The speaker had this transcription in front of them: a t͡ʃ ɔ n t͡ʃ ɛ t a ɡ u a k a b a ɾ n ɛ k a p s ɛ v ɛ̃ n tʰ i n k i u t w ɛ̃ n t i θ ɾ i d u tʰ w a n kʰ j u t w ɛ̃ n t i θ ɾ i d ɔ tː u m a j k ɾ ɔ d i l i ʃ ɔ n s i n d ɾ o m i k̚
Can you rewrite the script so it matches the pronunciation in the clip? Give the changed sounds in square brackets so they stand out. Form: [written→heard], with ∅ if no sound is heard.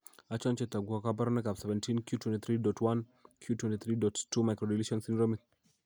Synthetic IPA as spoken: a t͡ʃ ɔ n t͡ʃ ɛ t a ɡ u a k a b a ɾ n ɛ k a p s ɛ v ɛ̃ n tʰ i n k [i→j] u t w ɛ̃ n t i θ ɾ i d [u→ɔ] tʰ w a n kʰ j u t w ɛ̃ n t i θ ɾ i d ɔ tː u m a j k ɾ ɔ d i l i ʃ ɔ n s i n d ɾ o m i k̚